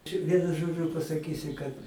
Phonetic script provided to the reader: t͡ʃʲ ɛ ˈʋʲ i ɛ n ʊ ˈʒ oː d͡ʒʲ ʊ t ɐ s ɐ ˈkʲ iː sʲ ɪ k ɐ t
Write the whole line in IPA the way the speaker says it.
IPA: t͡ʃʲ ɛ ˈʋʲ i ɛ n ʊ ˈʒ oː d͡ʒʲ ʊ p ɐ s ɐ ˈkʲ iː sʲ ɪ k ɐ t